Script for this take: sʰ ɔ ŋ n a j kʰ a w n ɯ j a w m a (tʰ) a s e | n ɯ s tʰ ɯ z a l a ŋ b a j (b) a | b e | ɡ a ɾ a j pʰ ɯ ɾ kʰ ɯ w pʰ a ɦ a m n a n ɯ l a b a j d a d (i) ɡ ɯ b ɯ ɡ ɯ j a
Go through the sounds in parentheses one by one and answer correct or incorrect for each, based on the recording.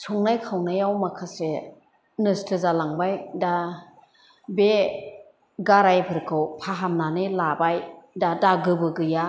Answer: incorrect, incorrect, incorrect

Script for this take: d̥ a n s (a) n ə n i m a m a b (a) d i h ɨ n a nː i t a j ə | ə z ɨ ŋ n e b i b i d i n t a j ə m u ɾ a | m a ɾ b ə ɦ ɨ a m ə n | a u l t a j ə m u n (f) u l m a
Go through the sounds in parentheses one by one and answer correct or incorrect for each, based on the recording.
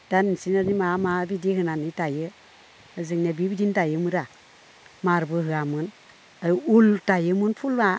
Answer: incorrect, incorrect, correct

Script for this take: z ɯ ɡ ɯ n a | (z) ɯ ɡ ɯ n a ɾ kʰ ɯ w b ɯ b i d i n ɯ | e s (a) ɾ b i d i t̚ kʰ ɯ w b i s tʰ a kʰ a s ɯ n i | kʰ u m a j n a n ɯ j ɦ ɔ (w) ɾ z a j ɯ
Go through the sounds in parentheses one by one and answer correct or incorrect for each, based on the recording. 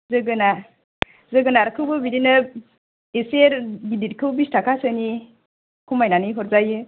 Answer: correct, incorrect, incorrect

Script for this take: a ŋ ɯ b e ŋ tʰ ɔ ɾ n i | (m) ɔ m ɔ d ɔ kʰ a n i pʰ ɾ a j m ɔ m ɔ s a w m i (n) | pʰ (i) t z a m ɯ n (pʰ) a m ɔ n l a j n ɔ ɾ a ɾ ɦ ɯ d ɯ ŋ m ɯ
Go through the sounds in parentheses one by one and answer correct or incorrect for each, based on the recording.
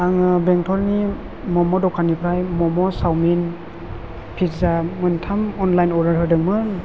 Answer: correct, correct, correct, incorrect

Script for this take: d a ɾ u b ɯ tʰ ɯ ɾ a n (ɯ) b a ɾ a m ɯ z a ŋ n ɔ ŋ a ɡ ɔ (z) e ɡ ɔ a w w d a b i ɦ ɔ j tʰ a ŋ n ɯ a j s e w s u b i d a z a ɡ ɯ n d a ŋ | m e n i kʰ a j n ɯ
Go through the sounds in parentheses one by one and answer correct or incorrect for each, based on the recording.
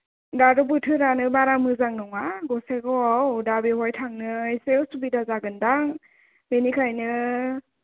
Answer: correct, incorrect

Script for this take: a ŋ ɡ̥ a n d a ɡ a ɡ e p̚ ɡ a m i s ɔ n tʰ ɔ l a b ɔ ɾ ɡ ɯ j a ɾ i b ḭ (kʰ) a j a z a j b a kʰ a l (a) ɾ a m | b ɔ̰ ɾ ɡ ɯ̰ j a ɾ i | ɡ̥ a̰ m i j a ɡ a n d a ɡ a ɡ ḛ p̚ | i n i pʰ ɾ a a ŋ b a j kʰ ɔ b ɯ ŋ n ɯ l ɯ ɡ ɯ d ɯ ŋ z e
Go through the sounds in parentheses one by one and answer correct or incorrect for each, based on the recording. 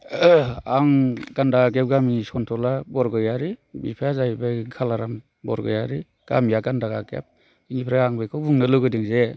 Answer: incorrect, correct

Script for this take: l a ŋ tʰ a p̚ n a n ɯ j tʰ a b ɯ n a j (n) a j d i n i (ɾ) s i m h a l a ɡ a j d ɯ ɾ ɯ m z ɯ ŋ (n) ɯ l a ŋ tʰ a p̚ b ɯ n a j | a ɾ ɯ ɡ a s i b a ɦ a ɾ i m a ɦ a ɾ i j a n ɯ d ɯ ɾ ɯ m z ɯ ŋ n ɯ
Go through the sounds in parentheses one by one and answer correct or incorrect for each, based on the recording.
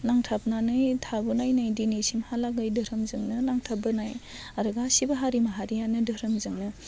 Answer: correct, incorrect, correct

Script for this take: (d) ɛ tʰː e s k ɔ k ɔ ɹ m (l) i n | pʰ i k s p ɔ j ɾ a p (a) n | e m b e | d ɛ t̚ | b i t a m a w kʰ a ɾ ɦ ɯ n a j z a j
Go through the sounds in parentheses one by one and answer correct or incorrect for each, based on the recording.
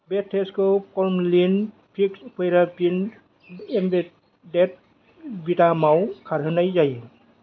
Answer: incorrect, correct, incorrect

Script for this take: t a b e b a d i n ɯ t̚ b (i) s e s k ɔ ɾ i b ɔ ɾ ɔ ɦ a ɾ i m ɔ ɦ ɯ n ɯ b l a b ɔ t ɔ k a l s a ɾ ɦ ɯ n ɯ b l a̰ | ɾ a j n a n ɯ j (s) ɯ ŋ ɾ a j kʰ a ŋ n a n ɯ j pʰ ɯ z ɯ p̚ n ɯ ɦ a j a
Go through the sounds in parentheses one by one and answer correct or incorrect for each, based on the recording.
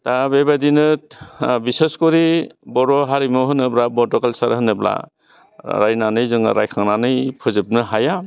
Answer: correct, incorrect

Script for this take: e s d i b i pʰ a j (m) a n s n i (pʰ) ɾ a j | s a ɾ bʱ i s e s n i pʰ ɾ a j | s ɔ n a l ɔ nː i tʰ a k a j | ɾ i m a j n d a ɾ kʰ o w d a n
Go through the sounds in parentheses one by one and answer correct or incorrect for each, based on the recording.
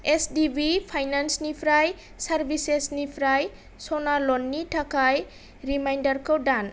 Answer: incorrect, correct

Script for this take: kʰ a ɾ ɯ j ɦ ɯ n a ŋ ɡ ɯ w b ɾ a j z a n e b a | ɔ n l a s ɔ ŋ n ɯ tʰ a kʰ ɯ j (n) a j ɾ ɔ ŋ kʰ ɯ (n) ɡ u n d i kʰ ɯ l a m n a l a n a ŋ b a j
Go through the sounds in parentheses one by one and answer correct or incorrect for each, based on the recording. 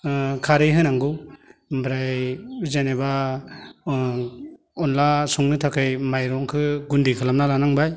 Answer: incorrect, incorrect

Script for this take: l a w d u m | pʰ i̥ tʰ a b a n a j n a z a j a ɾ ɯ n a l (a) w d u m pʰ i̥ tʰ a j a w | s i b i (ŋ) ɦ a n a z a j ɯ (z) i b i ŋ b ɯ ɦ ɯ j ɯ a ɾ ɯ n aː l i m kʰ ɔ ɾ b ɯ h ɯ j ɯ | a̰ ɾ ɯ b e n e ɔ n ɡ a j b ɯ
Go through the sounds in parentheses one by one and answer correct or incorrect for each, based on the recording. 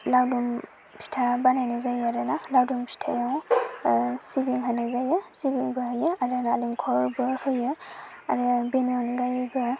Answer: correct, correct, incorrect

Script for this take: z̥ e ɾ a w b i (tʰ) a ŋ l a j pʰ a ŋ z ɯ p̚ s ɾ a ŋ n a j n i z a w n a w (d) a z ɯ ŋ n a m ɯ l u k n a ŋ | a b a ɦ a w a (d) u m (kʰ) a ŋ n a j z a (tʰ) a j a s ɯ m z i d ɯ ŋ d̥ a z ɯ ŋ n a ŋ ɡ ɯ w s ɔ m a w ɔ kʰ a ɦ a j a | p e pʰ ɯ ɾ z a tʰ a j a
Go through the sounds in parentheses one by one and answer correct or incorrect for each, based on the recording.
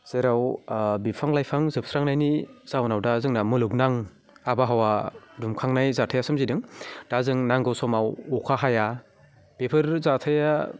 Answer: incorrect, correct, correct, correct, correct

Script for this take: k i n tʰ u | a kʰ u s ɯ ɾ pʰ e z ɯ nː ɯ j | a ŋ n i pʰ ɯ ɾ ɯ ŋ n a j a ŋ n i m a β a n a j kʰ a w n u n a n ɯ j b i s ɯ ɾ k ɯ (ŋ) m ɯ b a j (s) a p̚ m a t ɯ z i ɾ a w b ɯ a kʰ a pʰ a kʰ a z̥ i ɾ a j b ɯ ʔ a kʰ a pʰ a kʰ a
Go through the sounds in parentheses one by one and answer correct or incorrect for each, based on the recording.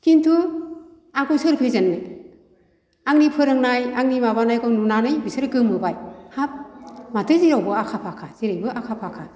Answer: incorrect, incorrect

